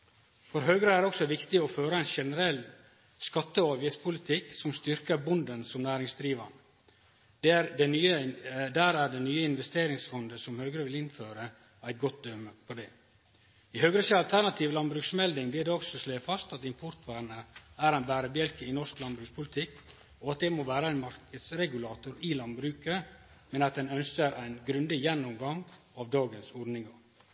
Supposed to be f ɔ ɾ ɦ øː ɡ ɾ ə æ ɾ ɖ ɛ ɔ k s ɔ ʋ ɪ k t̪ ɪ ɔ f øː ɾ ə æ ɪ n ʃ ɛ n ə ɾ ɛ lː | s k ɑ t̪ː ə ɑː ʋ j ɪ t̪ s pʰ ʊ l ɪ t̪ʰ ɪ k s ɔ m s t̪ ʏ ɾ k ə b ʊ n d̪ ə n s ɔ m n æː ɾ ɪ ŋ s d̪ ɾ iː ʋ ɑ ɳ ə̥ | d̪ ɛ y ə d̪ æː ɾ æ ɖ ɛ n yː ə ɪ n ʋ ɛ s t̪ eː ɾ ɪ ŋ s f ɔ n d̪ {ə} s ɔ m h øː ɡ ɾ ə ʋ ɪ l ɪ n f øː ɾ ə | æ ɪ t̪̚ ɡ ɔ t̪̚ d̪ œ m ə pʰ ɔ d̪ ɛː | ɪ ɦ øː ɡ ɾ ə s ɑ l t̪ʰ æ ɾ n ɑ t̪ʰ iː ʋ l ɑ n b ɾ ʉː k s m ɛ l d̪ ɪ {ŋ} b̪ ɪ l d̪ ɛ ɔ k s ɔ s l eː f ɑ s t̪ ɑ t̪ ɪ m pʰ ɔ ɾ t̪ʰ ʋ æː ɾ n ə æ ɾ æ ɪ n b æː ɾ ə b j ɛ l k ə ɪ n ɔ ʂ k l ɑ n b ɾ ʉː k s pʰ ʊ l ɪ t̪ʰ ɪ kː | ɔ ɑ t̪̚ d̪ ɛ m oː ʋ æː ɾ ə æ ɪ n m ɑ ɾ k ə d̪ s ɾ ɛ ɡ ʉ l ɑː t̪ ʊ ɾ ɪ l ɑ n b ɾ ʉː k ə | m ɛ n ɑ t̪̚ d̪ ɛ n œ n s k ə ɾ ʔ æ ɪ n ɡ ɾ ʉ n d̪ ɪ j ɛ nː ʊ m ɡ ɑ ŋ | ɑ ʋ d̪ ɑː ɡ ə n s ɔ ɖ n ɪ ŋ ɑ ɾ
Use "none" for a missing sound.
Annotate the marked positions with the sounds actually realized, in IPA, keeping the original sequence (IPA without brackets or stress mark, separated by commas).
ə, ŋ